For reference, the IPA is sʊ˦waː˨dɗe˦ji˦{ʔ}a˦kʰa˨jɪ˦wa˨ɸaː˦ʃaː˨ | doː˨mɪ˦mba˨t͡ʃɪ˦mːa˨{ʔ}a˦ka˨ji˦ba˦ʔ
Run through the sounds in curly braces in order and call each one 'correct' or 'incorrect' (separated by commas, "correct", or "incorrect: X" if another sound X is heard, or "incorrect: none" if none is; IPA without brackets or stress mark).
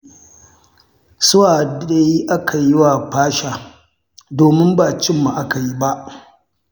correct, correct